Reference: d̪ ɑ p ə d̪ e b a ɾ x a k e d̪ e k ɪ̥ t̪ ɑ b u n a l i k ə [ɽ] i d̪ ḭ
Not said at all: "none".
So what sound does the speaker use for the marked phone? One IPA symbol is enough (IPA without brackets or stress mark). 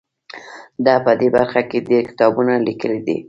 l